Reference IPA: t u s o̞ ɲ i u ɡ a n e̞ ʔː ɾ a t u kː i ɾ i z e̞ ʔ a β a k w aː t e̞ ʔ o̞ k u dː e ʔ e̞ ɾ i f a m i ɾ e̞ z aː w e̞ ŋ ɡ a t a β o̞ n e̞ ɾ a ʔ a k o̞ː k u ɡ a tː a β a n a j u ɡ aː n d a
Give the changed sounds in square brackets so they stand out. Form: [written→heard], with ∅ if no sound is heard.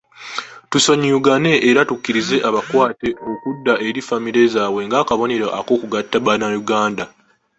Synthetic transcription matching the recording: t u s o̞ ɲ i u ɡ a n e̞ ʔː ɾ a t u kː i ɾ i z e̞ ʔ a β a k w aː t e̞ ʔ o̞ k u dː [e→a] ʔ e̞ ɾ i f a m i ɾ e̞ z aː w e̞ ŋ ɡ a [t→k] a β o̞ n e̞ ɾ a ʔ a k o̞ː k u ɡ a tː a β a n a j u ɡ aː n d a